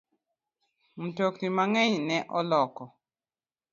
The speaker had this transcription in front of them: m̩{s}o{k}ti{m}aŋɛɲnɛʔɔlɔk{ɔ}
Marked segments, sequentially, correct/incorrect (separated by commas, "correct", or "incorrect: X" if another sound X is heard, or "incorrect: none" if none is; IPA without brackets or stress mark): incorrect: t, correct, correct, correct